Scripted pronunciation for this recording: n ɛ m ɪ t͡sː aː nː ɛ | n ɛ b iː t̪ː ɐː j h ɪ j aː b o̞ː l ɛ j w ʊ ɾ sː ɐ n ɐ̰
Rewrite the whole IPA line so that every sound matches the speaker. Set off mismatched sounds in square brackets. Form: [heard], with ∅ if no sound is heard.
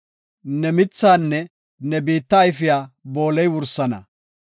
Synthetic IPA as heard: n ɛ m ɪ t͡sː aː nː ɛ | n ɛ b iː t̪ː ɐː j [f] ɪ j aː b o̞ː l ɛ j w ʊ ɾ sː ɐ n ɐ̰